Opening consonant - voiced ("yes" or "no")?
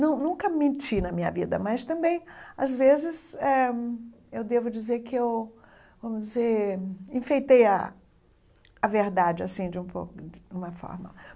yes